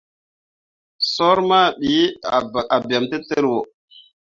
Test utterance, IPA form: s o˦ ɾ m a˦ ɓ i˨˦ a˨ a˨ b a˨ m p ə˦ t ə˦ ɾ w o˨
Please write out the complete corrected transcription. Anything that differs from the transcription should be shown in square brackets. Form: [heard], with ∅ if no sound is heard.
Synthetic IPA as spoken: s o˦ ɾ m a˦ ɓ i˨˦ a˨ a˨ b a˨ m [t] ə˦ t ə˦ ɾ w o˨